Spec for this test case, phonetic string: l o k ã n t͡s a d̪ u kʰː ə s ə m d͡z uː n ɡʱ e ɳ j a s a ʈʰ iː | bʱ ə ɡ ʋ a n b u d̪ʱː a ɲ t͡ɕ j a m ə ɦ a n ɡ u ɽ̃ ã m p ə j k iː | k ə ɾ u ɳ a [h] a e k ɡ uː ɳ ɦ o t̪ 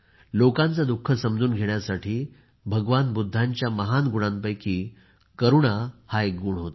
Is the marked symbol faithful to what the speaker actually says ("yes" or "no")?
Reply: yes